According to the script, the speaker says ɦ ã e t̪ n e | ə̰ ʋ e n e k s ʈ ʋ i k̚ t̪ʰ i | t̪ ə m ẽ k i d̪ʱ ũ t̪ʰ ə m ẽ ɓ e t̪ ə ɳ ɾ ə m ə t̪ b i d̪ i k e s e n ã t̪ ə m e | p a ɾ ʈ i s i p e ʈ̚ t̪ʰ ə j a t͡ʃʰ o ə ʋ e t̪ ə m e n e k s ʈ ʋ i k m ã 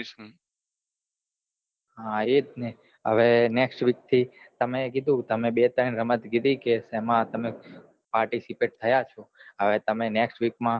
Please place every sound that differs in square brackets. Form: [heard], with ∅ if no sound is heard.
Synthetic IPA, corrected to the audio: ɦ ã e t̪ n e | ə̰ ʋ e n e k s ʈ ʋ i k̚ t̪ʰ i | t̪ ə m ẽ k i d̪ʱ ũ [t̪] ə m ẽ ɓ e t̪ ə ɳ ɾ ə m ə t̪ [ɡ] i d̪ i k e s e [m] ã t̪ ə m e | p a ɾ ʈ i s i p e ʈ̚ t̪ʰ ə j a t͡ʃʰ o ə ʋ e t̪ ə m e n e k s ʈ ʋ i k m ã